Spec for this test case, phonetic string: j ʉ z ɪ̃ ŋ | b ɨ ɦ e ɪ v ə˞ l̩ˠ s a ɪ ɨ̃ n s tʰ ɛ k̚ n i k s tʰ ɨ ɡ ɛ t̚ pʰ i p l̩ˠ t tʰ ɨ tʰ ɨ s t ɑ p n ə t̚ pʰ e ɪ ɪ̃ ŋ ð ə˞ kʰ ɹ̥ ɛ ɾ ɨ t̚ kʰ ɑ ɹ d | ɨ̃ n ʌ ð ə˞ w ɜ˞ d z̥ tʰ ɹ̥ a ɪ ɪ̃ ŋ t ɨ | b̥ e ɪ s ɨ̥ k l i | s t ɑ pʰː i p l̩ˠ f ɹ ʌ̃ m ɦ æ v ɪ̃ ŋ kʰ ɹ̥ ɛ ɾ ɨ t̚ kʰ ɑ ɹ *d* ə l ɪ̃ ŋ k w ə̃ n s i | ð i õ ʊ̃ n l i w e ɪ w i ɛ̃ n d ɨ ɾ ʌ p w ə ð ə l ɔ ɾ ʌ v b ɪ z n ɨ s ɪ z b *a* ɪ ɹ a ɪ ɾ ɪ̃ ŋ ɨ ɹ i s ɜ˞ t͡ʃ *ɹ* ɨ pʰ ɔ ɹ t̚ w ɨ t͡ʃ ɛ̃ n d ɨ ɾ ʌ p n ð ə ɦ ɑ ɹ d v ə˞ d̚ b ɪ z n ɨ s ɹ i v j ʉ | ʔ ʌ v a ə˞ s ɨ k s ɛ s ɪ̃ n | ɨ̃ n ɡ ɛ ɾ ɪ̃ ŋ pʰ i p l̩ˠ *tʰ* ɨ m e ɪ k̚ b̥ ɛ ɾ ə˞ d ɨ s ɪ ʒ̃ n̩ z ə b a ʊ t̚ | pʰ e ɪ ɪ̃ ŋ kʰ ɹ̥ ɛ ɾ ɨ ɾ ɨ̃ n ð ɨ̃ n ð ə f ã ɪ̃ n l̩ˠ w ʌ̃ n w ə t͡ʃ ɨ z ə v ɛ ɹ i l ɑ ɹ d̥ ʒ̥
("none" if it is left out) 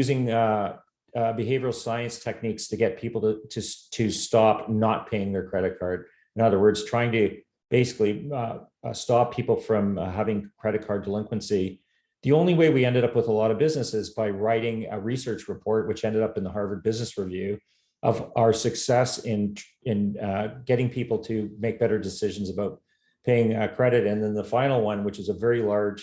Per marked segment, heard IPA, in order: d, a, ɹ, tʰ

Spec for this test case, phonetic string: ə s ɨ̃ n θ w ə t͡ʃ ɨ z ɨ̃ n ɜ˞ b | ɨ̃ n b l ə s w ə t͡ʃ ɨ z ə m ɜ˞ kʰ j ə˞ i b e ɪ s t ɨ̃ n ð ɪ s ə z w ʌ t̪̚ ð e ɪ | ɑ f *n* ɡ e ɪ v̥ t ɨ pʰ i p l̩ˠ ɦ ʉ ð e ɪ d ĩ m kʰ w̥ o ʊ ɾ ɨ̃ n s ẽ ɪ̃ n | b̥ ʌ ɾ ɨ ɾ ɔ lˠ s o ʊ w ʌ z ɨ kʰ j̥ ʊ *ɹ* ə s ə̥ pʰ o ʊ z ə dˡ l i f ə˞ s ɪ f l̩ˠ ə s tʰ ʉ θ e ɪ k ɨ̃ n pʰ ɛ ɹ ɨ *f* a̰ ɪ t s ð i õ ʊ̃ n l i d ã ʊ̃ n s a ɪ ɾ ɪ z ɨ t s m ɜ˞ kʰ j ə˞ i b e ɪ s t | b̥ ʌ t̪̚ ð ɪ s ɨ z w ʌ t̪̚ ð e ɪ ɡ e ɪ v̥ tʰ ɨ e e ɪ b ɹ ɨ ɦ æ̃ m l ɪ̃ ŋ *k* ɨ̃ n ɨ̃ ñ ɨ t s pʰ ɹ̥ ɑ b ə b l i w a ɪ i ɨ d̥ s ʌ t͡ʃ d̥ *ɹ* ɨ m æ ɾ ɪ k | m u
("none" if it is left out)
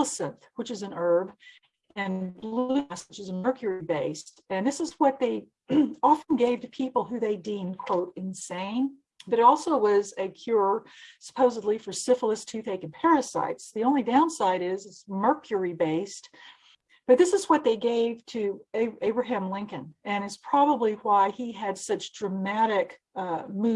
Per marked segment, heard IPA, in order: n, ɹ, s, k, ɹ

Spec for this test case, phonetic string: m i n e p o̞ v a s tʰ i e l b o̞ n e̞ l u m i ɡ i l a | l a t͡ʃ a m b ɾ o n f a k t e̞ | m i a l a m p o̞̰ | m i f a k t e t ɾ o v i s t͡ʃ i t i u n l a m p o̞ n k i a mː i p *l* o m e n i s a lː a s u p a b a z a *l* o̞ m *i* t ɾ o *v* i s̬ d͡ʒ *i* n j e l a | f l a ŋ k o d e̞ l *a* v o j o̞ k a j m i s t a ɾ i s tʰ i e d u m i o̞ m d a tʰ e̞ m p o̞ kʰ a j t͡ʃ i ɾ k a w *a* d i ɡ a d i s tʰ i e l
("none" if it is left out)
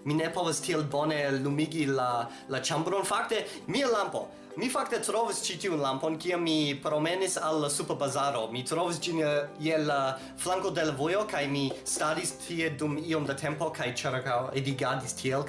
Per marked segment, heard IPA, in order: ɾ, ɾ, i, v, i, a, e

